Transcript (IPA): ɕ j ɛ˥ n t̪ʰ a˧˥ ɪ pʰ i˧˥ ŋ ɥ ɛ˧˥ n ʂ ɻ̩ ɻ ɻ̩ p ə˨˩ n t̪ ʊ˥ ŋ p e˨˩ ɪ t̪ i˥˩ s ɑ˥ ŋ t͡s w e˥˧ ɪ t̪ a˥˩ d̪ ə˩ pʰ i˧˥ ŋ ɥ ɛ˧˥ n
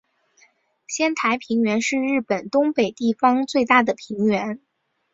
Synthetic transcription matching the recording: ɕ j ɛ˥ n t̪ʰ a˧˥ ɪ pʰ i˧˥ ŋ ɥ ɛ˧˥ n ʂ ɻ̩ ɻ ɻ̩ p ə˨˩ n t̪ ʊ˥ ŋ p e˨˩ ɪ t̪ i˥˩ f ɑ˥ ŋ t͡s w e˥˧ ɪ t̪ a˥˩ d̪ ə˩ pʰ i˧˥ ŋ ɥ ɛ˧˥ n